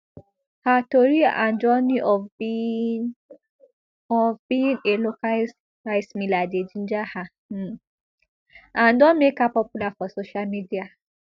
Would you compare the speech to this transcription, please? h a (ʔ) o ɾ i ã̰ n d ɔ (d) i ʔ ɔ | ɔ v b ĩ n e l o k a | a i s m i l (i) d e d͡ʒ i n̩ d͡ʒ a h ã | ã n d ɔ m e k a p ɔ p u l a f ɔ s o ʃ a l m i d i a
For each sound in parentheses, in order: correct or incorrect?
incorrect, incorrect, incorrect

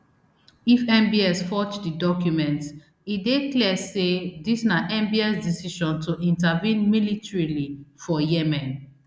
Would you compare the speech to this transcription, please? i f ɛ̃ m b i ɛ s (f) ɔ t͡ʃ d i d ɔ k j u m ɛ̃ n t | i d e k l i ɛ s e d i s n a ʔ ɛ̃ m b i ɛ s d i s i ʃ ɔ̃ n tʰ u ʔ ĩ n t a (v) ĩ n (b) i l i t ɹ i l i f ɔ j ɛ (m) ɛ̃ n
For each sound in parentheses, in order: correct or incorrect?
correct, correct, incorrect, correct

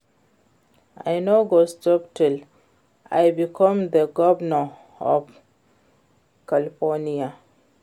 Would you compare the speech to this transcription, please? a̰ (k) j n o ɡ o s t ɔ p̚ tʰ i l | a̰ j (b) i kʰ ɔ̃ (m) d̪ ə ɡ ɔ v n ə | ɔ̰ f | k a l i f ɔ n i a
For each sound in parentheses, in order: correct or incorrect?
incorrect, correct, correct

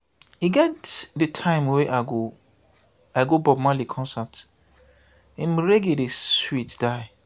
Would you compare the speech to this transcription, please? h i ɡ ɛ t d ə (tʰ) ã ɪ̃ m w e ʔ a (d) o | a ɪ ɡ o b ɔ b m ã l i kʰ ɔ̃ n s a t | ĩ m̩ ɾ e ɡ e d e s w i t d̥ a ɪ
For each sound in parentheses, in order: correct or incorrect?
correct, incorrect

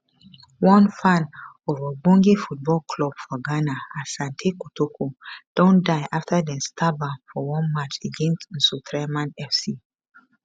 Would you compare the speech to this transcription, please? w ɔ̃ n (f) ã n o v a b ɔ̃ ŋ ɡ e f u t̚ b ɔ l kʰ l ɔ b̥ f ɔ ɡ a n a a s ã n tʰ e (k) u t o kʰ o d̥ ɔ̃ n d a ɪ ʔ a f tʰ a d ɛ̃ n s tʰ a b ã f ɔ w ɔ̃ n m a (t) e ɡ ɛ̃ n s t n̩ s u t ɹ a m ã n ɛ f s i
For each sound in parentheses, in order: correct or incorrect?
correct, correct, incorrect

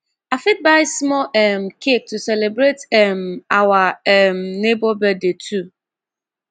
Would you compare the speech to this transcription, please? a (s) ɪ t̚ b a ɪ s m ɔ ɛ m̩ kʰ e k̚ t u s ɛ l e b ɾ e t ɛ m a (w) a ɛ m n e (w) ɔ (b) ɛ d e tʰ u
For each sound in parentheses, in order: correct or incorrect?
incorrect, correct, incorrect, correct

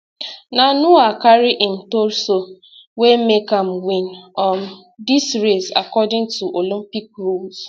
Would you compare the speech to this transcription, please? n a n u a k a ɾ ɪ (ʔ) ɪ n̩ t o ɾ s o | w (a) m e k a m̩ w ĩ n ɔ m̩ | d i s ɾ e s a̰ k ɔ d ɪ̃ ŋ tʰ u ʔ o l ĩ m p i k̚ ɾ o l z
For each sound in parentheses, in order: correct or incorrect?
correct, incorrect

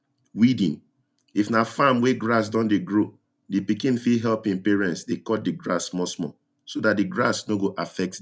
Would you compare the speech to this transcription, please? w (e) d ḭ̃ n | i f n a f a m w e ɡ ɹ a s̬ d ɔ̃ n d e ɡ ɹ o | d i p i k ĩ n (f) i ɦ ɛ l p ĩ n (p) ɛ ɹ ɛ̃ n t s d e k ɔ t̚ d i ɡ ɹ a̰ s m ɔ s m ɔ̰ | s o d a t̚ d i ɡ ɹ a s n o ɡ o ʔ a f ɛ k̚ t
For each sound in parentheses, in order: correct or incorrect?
incorrect, correct, correct

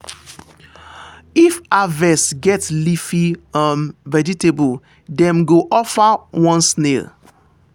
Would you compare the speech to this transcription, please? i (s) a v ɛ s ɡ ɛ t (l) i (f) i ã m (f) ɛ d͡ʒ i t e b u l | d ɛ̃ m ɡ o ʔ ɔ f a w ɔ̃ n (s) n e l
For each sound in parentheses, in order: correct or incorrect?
incorrect, correct, correct, incorrect, correct

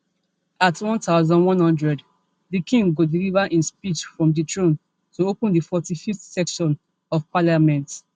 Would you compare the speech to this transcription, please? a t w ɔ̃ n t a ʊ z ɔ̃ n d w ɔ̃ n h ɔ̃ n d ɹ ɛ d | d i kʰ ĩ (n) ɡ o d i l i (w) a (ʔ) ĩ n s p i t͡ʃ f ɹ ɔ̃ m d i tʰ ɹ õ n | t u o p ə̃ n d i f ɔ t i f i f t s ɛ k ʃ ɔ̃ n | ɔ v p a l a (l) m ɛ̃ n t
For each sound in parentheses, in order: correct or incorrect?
incorrect, incorrect, correct, incorrect

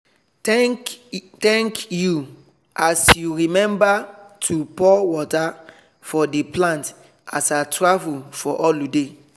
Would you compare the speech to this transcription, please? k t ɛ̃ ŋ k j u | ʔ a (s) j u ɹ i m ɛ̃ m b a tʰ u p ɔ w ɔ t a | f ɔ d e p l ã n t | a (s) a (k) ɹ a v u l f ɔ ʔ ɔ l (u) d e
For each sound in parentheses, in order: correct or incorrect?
correct, correct, incorrect, correct

